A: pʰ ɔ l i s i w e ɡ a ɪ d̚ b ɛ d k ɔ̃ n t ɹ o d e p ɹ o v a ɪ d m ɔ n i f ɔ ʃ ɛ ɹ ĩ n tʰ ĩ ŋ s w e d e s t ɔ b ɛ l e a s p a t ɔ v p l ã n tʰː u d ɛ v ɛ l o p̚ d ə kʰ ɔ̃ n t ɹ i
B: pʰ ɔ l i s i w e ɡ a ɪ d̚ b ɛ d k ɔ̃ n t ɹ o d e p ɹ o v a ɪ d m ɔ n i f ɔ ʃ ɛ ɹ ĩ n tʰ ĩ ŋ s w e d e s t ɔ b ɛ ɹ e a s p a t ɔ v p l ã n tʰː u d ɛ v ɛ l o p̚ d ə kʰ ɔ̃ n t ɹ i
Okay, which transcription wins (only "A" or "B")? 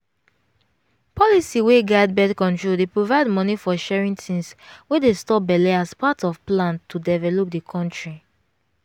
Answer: A